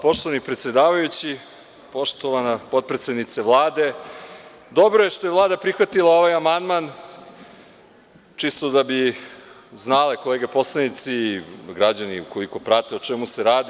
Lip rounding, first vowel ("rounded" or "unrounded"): rounded